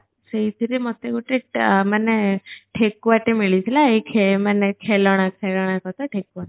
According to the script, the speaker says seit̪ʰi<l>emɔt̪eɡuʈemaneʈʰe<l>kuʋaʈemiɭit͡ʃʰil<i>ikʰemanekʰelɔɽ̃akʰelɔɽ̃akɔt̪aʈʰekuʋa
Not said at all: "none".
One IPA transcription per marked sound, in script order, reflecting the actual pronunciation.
ɾ, none, a

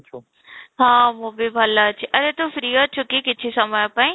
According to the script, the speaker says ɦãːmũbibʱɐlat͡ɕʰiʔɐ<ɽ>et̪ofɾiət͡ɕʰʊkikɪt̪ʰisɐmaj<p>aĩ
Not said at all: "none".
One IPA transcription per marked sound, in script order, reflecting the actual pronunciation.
ɾ, p

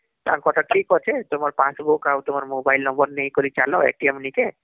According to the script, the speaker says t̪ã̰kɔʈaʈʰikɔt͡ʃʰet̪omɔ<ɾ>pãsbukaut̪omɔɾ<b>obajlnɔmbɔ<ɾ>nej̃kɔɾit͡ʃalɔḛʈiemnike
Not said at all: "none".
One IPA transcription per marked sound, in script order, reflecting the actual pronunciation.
ɾ, m, ɾ

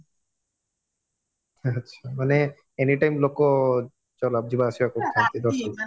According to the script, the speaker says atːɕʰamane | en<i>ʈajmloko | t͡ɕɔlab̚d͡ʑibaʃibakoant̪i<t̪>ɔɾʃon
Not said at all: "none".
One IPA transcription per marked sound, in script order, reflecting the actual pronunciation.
i, d̪

